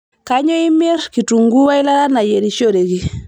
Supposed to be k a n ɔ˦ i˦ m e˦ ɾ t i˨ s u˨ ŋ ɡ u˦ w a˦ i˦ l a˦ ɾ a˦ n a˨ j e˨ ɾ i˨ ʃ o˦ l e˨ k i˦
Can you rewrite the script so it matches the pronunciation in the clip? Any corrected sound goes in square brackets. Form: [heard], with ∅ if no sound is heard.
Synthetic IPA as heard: k a [ɲ] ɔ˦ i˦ m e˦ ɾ [k] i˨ [t] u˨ ŋ ɡ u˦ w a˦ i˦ l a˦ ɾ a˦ n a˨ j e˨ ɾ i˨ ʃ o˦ [ɾ] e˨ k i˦